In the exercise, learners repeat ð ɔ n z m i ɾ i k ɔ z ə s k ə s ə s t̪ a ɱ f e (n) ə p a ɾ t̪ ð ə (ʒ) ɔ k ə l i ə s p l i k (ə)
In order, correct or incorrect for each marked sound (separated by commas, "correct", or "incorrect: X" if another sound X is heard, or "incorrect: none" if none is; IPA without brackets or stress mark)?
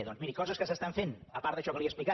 correct, incorrect: ʃ, incorrect: a